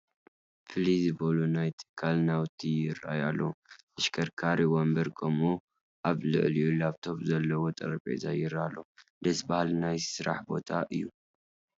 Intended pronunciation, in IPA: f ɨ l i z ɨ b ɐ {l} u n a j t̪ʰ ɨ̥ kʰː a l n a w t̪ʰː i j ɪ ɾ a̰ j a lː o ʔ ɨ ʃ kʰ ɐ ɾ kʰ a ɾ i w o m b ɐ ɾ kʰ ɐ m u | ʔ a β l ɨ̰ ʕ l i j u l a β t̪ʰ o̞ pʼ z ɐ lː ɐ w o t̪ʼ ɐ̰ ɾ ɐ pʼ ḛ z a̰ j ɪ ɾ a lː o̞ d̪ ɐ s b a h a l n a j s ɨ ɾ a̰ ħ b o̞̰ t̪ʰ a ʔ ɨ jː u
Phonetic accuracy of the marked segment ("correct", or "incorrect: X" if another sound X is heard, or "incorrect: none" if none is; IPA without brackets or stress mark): correct